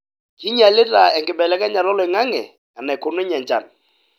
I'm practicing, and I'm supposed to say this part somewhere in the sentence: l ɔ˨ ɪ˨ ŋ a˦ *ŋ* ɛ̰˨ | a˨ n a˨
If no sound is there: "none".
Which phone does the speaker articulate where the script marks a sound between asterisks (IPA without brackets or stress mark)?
ŋ